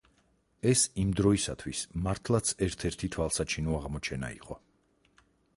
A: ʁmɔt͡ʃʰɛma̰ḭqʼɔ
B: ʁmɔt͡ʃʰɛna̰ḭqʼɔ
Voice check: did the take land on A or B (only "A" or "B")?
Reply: B